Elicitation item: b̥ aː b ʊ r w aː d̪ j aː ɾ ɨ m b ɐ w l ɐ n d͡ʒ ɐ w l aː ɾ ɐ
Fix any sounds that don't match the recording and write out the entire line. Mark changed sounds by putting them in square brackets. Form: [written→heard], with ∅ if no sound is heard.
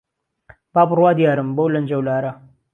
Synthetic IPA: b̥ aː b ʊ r w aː d̪ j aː ɾ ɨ m b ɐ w l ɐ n d͡ʒ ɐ w l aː ɾ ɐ